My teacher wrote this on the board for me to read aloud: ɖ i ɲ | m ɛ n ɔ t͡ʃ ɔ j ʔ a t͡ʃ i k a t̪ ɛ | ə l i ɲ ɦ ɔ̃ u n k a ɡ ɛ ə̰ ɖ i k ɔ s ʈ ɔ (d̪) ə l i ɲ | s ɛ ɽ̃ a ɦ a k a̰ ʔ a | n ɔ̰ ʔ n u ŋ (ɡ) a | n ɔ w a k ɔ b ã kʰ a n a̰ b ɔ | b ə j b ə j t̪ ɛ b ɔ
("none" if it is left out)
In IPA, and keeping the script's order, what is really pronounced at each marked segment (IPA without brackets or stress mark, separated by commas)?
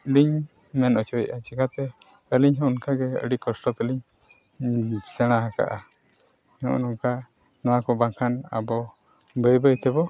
t̪, k